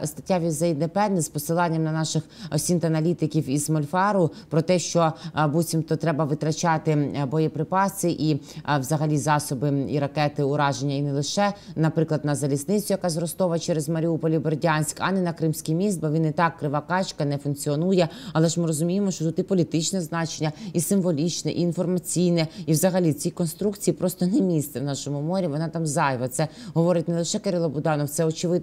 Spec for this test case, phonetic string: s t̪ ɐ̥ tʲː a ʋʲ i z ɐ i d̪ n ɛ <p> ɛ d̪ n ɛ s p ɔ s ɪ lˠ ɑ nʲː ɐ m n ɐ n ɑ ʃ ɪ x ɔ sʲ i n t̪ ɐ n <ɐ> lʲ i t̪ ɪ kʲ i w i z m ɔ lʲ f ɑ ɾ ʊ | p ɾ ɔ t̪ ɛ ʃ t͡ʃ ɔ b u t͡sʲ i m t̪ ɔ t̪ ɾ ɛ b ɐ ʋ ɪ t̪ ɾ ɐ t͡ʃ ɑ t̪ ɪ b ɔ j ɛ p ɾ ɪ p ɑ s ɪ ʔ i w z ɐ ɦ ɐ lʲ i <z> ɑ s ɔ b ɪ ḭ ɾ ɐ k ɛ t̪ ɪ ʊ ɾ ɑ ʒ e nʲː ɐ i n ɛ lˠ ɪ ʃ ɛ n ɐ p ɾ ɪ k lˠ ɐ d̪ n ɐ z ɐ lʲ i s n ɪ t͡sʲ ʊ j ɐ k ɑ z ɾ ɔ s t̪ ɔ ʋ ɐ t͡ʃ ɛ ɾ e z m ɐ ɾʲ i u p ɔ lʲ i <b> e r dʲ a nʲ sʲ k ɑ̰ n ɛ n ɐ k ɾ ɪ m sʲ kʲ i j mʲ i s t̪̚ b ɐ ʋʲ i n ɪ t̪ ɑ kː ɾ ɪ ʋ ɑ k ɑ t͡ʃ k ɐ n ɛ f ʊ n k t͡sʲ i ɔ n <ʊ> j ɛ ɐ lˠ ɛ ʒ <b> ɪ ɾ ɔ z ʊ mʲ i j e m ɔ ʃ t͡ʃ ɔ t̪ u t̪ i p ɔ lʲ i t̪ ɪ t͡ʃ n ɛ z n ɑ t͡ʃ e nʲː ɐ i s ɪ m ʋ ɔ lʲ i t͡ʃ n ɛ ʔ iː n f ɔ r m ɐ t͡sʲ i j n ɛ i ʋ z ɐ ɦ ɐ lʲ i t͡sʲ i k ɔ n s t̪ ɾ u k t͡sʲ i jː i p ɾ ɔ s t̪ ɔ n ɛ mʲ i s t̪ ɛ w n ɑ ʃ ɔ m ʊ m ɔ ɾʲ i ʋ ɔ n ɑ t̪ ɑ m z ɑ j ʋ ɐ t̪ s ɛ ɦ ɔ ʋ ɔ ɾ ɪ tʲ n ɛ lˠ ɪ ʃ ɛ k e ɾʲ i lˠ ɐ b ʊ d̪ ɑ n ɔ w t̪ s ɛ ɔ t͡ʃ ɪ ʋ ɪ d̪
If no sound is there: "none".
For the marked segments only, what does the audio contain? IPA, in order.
p, ɐ, z, b, u, m

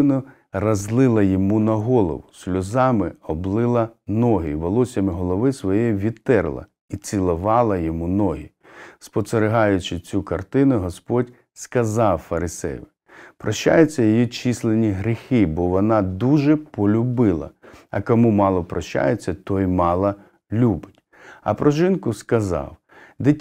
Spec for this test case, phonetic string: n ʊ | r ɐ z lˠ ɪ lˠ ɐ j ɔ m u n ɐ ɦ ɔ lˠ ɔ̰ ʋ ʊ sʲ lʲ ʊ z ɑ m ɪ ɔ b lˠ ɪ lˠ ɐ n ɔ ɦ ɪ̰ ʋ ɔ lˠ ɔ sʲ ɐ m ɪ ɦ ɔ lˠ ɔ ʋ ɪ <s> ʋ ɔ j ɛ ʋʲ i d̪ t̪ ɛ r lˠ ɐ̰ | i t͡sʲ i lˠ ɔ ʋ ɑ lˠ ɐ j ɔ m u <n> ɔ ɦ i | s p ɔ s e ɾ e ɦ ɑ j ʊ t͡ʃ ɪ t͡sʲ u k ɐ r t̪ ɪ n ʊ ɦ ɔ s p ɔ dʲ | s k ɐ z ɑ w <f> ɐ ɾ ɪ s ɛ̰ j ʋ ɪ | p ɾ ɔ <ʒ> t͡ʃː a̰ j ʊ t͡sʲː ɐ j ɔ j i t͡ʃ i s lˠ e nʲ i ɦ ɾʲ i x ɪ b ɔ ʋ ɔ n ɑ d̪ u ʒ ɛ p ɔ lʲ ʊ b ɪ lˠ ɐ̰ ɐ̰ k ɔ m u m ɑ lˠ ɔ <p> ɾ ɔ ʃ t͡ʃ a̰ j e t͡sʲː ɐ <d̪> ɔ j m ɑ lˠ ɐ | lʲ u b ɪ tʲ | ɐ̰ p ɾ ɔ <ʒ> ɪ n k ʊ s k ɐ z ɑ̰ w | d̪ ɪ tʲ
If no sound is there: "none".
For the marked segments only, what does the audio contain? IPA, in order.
s, n, f, ʃ, p, t̪, ʒ

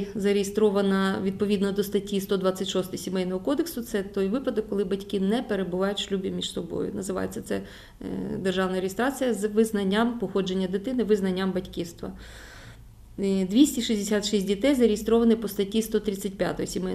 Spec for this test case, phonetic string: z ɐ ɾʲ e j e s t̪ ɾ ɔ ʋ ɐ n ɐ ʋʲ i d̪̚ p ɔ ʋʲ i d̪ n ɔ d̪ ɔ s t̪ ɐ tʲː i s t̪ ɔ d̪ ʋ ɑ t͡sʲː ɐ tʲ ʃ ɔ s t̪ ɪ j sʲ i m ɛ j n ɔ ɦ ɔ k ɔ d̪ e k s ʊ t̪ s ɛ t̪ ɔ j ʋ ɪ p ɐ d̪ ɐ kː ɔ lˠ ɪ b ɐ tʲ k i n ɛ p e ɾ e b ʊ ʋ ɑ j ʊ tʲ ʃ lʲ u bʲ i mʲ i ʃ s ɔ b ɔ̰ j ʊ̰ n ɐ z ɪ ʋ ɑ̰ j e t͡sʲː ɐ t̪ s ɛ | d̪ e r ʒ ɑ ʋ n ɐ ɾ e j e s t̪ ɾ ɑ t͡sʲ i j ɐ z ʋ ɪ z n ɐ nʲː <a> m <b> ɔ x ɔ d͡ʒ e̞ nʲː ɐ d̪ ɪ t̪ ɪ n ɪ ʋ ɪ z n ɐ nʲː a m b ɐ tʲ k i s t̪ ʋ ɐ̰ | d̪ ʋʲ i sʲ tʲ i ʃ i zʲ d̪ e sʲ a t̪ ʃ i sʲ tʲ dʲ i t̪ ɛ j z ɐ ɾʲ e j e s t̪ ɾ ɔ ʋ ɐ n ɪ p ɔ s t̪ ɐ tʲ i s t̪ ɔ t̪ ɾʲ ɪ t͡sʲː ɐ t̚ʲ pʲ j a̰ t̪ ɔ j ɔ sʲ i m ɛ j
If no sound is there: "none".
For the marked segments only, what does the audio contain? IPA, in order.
a, p

